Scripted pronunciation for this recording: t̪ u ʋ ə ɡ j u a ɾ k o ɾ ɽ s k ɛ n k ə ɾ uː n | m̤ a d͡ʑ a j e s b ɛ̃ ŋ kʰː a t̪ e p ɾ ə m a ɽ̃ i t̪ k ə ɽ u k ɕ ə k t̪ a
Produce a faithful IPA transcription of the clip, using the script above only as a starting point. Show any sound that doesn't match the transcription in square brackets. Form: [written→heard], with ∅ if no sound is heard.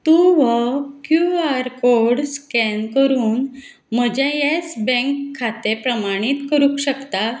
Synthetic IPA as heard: t̪ u ʋ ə [ɡ→k] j u a ɾ k o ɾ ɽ s k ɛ n k ə ɾ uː n | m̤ [a→ə] d͡ʑ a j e s b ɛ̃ ŋ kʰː a t̪ e p ɾ ə m a ɽ̃ i t̪ k ə [ɽ→ɾ] u k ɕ ə k t̪ a